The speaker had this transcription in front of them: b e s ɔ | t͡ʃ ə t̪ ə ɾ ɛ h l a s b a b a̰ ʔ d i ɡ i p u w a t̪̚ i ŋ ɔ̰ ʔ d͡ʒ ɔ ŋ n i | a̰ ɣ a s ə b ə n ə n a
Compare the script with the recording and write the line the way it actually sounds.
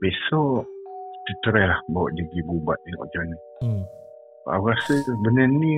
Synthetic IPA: b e s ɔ | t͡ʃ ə t̪ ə ɾ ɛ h l a h b a w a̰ ʔ d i ɡ i b u b a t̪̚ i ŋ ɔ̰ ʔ d͡ʒ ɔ n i | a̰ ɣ a s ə b ə n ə n i